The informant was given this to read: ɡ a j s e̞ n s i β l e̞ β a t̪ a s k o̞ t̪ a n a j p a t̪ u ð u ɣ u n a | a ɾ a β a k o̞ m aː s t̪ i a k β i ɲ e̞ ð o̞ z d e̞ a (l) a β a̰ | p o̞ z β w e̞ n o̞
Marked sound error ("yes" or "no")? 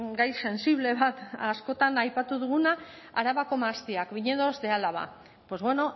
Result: no